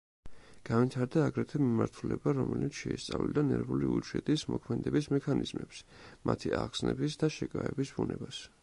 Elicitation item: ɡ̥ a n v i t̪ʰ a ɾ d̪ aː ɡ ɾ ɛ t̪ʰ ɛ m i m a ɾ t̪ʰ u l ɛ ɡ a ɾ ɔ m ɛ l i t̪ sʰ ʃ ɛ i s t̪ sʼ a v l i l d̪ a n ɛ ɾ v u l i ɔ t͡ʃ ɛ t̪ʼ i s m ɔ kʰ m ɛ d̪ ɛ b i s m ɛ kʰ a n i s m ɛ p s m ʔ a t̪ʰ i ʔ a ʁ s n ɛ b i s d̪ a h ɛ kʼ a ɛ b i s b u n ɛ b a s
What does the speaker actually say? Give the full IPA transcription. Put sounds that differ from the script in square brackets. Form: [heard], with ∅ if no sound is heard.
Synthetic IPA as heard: ɡ̥ a n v i t̪ʰ a ɾ d̪ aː ɡ ɾ ɛ t̪ʰ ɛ m i m a ɾ t̪ʰ u l ɛ [b] a ɾ ɔ m ɛ l i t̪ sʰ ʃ ɛ i s t̪ sʼ a v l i l d̪ a n ɛ ɾ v u l i [u] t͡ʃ ɛ t̪ʼ i s m ɔ kʰ m ɛ d̪ ɛ b i s m ɛ kʰ a n i [z] m ɛ p s m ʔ a t̪ʰ i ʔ a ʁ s n ɛ b i s d̪ a [ʃ] ɛ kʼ a ɛ b i s b u n ɛ b a s